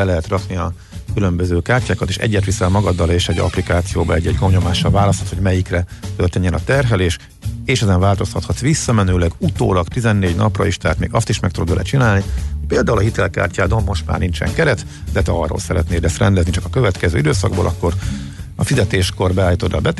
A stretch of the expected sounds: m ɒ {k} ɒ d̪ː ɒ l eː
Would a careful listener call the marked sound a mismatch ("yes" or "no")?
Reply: yes